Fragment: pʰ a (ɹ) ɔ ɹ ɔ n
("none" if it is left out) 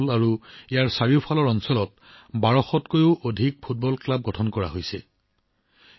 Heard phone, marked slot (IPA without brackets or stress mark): l